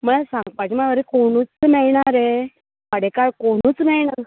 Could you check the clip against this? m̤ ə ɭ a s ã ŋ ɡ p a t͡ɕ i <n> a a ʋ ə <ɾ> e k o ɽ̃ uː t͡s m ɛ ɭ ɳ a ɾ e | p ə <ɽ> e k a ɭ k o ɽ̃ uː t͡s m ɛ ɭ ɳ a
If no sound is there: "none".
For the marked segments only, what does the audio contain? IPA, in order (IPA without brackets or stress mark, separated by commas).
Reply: m, ɾ, ɽ